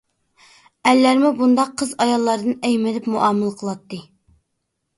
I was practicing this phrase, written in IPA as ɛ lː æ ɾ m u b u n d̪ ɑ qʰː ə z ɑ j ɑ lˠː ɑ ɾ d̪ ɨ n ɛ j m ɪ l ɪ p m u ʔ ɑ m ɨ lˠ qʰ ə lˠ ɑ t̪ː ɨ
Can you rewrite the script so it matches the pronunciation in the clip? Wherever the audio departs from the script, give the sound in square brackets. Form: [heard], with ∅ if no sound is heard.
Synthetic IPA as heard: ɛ lː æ ɾ m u b u n d̪ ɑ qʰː ə z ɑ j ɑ lˠː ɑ ɾ d̪ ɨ n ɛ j m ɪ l ɪ p m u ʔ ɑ m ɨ lˠ qʰ ə lˠ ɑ t̪ː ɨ